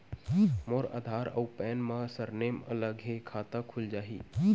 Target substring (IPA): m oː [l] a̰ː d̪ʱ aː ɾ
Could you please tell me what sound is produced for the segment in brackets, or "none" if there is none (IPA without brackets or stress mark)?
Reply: ɾ